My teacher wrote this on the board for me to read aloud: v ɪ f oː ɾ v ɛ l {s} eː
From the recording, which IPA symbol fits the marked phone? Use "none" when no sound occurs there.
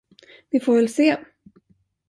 s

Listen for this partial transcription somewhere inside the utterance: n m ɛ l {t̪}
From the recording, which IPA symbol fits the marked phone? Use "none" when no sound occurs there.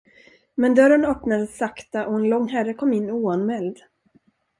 d̪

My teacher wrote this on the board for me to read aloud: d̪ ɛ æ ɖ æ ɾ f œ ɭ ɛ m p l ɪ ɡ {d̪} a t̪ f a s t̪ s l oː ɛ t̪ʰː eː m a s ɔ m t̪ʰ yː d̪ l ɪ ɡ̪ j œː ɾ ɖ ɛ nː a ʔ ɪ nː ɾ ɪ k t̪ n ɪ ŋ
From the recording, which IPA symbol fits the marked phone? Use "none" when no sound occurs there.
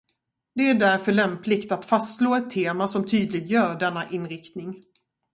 t̪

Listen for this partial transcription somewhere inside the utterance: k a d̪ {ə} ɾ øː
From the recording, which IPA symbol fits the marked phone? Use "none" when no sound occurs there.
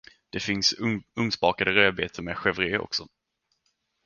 ə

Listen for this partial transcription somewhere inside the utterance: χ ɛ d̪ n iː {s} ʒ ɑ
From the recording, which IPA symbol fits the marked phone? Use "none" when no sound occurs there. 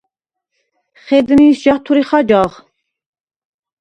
s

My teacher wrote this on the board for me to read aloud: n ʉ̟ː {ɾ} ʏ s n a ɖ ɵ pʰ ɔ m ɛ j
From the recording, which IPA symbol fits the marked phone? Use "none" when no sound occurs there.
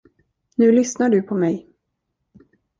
l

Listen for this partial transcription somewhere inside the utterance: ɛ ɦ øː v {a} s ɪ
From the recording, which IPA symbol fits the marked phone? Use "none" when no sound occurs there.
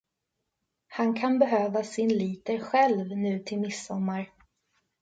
a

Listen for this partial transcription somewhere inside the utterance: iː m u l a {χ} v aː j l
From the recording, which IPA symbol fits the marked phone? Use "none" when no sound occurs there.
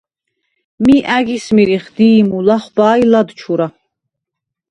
χ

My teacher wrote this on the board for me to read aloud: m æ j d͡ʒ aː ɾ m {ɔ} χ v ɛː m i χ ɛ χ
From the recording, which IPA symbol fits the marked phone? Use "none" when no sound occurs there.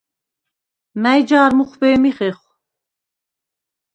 u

